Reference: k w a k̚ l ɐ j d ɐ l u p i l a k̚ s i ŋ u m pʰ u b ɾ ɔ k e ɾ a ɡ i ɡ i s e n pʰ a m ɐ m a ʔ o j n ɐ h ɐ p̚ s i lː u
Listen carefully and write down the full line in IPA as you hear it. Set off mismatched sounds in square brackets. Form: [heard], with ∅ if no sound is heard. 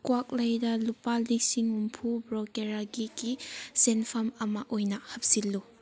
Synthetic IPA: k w a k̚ l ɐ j d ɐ l u p [a] l [i] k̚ s i ŋ u m pʰ u b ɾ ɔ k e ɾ a ɡ i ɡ i s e n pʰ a m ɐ m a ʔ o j n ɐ h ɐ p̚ s i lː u